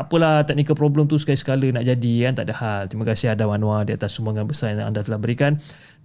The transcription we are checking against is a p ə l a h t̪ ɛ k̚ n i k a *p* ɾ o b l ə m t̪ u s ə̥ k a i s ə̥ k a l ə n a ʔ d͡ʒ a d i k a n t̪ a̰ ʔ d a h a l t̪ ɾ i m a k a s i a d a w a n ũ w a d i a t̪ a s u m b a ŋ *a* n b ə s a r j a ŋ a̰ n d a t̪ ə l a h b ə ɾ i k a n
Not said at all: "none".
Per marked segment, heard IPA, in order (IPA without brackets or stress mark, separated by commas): p, a